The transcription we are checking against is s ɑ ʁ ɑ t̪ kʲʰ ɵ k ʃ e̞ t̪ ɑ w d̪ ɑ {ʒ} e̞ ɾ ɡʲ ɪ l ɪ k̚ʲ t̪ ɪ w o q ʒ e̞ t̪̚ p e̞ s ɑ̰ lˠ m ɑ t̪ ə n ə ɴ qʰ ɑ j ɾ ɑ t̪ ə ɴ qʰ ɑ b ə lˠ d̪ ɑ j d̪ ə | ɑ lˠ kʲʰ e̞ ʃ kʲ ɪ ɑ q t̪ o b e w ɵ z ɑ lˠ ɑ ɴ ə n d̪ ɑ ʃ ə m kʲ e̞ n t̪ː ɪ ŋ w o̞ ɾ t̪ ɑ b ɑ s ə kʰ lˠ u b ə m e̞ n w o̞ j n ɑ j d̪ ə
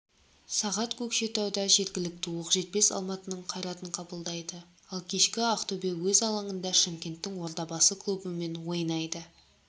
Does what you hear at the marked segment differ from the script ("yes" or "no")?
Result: no